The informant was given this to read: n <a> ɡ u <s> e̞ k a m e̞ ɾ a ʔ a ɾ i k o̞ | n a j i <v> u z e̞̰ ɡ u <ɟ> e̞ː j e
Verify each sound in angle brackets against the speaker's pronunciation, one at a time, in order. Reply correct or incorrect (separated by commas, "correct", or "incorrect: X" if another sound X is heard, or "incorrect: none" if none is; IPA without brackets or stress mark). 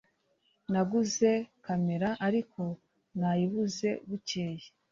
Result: correct, incorrect: z, incorrect: β, incorrect: c